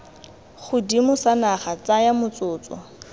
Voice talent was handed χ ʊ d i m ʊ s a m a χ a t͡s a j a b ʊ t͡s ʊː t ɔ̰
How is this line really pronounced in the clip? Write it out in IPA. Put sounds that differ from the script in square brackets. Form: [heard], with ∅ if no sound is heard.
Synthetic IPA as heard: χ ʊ d i m ʊ s a [n] a χ a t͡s a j a [m] ʊ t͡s ʊː [t͡s] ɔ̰